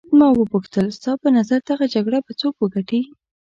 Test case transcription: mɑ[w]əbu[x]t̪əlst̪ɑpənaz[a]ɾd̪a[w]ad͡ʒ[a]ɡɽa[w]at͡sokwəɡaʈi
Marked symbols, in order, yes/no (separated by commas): yes, yes, yes, no, yes, no